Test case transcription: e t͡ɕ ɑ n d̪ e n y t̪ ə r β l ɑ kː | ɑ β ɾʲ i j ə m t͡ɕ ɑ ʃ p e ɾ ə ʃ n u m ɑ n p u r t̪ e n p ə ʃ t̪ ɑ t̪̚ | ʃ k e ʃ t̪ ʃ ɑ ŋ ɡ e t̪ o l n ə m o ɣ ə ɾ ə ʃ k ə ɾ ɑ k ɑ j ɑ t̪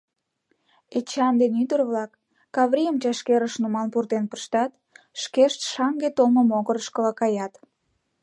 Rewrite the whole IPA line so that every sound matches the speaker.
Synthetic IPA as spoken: e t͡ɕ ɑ n d̪ e n y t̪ ə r β l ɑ kː | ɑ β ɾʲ i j ə m t͡ɕ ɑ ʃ k e ɾ ə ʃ n u m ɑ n p u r t̪ e n p ə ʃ t̪ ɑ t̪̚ | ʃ k e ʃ t̪ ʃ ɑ ŋ ɡ e t̪ o l m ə m o ɣ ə ɾ ə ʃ k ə l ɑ k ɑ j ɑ t̪